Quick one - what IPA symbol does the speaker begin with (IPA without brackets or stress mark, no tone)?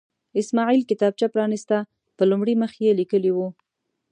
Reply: ɪ